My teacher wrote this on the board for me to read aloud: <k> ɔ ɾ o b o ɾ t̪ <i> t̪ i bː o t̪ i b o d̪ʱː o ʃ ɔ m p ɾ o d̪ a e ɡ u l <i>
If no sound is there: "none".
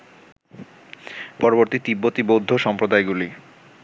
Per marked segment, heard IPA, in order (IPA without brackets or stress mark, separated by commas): p, i, i